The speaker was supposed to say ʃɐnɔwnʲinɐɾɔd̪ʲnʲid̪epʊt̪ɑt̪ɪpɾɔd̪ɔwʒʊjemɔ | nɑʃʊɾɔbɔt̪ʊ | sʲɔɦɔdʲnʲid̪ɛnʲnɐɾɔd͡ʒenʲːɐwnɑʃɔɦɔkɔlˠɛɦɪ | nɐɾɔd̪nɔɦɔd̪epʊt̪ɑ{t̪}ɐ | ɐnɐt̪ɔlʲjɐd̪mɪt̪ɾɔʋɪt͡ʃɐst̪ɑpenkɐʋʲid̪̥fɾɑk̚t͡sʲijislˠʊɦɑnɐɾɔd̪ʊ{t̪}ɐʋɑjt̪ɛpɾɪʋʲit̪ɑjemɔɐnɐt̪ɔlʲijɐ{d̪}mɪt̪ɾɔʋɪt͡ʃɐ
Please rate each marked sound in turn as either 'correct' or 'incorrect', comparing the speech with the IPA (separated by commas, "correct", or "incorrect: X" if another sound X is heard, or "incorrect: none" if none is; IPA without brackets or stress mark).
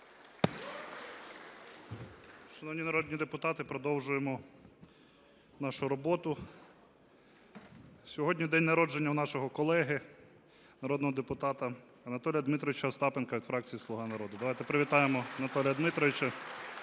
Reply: correct, incorrect: d̪, correct